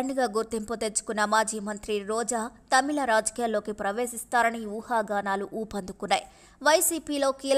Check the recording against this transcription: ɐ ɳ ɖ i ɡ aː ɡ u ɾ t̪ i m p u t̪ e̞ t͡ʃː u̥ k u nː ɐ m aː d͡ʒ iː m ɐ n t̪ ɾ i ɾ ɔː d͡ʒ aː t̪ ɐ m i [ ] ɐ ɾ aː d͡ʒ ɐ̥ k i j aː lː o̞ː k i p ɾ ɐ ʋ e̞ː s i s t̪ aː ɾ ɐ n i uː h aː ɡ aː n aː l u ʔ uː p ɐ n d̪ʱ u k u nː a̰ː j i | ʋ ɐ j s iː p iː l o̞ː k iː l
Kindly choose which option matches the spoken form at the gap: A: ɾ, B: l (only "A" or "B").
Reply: B